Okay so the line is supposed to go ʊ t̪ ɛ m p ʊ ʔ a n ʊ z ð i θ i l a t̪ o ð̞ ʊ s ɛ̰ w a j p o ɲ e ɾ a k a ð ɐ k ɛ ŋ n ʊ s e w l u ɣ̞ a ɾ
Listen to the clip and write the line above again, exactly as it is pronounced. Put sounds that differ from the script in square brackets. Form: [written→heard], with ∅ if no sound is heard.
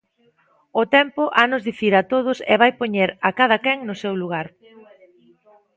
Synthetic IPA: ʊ t̪ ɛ m p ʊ ʔ a n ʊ z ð i θ i [l→ɾ] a t̪ o ð̞ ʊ s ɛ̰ [w→β] a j p o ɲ e ɾ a k a ð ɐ k ɛ ŋ n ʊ s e w l u ɣ̞ a ɾ

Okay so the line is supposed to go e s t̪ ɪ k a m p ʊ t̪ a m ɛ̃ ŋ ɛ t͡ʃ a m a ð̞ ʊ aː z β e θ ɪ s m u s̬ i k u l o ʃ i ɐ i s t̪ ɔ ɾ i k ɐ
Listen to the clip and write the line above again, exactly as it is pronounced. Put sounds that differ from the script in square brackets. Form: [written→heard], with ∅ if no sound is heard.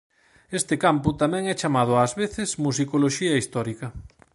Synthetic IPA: e s t̪ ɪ k a m p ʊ t̪ a m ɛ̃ ŋ ɛ t͡ʃ a m a ð̞ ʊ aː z β e θ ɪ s m u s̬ i k [u→o] l o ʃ i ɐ i s t̪ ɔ ɾ i k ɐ

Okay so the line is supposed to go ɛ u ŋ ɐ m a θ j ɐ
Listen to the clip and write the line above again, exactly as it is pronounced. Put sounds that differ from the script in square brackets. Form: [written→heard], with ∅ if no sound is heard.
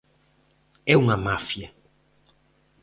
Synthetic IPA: ɛ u ŋ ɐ m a [θ→f] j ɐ

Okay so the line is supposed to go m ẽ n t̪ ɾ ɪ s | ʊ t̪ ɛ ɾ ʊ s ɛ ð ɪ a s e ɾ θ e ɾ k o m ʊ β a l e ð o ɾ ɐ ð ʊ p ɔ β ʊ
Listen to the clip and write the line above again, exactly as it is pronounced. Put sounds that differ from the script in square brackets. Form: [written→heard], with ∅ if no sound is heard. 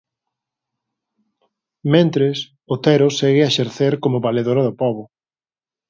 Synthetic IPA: m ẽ n t̪ ɾ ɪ s | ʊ t̪ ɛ ɾ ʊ s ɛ [ð→ɣ] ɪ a [s→ʃ] e ɾ θ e ɾ k o m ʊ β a l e ð o ɾ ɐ ð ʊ p ɔ β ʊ

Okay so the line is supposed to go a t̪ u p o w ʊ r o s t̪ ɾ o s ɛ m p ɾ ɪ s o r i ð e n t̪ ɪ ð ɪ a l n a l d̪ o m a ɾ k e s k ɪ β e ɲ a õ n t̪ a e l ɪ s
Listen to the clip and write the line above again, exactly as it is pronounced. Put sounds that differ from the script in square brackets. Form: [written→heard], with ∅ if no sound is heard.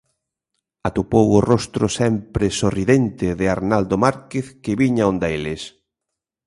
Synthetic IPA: a t̪ u p o w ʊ r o s t̪ ɾ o s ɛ m p ɾ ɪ s o r i ð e n t̪ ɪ ð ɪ a [l→ɾ] n a l d̪ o m a ɾ k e [s→θ] k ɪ β [e→i] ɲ a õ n [t̪→d̪] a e l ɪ s

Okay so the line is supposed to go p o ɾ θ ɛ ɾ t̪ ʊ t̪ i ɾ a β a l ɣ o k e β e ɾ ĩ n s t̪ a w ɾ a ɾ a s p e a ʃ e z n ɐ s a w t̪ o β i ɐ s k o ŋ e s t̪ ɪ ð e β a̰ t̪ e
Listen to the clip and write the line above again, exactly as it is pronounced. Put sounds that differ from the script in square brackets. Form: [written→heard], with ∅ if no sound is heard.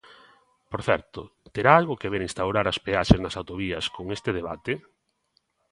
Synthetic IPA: p o ɾ θ ɛ ɾ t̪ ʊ t̪ [i→e] ɾ a [β→∅] a l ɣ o k e β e ɾ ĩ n s t̪ a w ɾ a ɾ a s p e a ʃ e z n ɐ s a w t̪ o β i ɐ s k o ŋ e s t̪ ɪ ð e β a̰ t̪ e

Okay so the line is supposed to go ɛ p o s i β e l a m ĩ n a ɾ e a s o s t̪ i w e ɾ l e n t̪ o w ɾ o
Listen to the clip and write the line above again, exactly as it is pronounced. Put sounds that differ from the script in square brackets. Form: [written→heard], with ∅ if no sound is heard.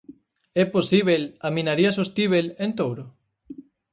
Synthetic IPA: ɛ p o s i β e l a m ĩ n a ɾ [e→i] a s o s t̪ i [w→β] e [ɾ→∅] l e n t̪ o w ɾ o

